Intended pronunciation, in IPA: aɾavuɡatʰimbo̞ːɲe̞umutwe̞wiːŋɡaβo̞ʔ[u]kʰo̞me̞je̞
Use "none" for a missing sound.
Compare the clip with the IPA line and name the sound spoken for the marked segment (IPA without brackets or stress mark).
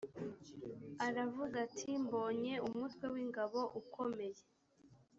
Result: u